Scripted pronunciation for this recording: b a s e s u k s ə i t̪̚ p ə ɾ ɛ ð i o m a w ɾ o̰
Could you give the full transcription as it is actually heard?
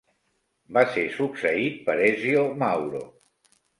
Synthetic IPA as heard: b a s e s u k s ə i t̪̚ p ə ɾ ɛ z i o m a w ɾ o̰